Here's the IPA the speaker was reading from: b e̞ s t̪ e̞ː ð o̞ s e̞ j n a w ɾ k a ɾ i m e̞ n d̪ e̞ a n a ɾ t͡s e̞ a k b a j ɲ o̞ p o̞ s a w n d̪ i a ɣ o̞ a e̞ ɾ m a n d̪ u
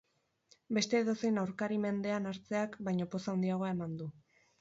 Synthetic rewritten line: b e̞ s t̪ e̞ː ð o̞ s e̞ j n a w ɾ k a ɾ i m e̞ n d̪ e̞ a n a ɾ t͡s e̞ a k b a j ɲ o̞ p o̞ s a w n d̪ i a ɣ o̞ a e̞ m a n d̪ u